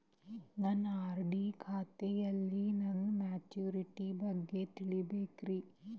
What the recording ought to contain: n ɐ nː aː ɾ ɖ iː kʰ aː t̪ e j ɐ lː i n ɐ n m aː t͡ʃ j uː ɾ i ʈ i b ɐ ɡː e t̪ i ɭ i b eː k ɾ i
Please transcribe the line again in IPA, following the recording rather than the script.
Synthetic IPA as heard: n ɐ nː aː ɾ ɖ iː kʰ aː t̪ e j ɐ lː i n ɐ n m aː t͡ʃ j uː ɾ i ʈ i b ɐ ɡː e t̪ i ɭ i b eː k ɾ i

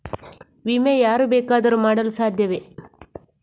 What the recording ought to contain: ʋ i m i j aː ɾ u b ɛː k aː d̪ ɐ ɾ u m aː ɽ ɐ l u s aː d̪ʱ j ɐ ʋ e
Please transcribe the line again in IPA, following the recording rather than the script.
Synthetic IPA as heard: ʋ i m e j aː ɾ u b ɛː k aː d̪ ɐ ɾ u m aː ɽ ɐ l u s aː d̪ʱ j ɐ ʋ e

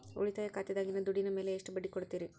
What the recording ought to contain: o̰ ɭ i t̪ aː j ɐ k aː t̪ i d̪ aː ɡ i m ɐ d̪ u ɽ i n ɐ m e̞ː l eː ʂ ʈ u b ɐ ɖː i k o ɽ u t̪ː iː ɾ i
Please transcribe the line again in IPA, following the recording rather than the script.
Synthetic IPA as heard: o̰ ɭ i t̪ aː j ɐ k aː t̪ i d̪ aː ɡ i n ɐ d̪ u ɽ i n ɐ m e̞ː l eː ʂ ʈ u b ɐ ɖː i k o ɽ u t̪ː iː ɾ i

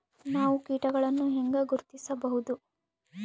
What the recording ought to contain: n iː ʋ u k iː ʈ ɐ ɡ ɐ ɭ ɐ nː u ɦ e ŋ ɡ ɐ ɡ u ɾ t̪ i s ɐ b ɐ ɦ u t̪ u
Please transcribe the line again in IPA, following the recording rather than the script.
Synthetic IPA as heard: n aː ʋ u k iː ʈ ɐ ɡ ɐ ɭ ɐ nː u ɦ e ŋ ɡ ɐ ɡ u ɾ t̪ i s ɐ b ɐ ɦ u d̪ u

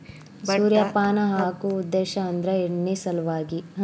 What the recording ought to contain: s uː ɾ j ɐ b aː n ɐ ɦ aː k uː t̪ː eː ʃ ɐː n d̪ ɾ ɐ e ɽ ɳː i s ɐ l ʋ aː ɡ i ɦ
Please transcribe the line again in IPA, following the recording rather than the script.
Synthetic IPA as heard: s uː ɾ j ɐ p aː n ɐ ɦ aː k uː d̪ː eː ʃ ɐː n d̪ ɾ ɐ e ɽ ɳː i s ɐ l ʋ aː ɡ i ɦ

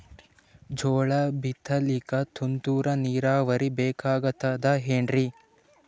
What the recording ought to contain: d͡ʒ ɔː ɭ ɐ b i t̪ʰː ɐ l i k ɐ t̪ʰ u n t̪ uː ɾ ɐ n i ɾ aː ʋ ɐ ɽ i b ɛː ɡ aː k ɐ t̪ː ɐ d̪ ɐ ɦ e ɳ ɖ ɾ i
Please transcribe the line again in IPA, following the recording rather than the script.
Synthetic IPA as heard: d͡ʒ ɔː ɭ ɐ b i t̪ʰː ɐ l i k ɐ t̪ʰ u n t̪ uː ɾ ɐ n iː ɾ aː ʋ ɐ ɾ i b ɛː k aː ɡ ɐ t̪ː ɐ d̪ ɐ ɦ e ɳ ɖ ɾ i

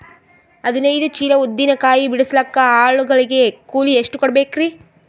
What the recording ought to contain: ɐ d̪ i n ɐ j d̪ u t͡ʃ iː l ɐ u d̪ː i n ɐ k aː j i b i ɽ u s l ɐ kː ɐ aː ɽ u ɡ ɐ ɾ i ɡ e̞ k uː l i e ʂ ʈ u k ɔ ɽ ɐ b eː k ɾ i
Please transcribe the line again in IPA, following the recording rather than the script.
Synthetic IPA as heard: ɐ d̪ i n ɐ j d̪ u t͡ʃ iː l ɐ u d̪ː i n ɐ k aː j i b i ɽ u s l ɐ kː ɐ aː ɭ u ɡ ɐ ɭ i ɡ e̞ k uː l i e ʂ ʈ u k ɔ ɽ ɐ b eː k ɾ i

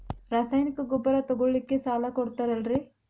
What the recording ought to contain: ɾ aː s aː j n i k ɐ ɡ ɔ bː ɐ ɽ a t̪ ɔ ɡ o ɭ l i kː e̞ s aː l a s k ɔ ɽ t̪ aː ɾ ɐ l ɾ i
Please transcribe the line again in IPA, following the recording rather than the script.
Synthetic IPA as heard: ɾ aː s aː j n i k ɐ ɡ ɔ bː ɐ ɾ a t̪ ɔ ɡ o ɭ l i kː e̞ s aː l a k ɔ ɽ t̪ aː ɾ ɐ l ɾ i

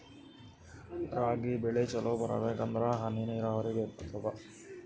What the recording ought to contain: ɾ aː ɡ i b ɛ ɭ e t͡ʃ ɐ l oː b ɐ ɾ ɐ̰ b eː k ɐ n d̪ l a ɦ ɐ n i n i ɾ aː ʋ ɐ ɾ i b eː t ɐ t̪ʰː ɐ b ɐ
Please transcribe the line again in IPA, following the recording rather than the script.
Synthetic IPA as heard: ɾ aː ɡ i b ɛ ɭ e t͡ʃ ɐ l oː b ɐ ɾ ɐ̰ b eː k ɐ n d̪ ɾ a ɦ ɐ n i n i ɾ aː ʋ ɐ ɾ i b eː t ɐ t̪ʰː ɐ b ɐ

